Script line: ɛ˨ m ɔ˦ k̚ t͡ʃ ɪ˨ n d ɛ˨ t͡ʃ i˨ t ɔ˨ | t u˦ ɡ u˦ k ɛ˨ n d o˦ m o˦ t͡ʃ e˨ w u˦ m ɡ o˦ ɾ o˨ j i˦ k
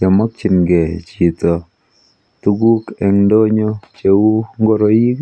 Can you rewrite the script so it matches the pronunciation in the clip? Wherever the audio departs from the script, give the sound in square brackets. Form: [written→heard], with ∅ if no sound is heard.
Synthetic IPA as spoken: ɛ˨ m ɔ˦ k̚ t͡ʃ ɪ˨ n [d→ɡ] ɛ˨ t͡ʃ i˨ t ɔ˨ | t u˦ ɡ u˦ k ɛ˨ [n→ŋ] d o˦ [m→ɲ] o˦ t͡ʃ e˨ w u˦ [m→ŋ] ɡ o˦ ɾ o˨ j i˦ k